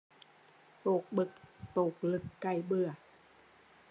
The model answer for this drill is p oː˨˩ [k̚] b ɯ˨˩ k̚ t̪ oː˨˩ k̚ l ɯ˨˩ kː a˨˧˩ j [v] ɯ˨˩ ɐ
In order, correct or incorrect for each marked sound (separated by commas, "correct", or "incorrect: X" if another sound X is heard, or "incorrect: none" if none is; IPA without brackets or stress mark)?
correct, incorrect: b